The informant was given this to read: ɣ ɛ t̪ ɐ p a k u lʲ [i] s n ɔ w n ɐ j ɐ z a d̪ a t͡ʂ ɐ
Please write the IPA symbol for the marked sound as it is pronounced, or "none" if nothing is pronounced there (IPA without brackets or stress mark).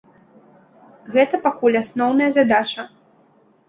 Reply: a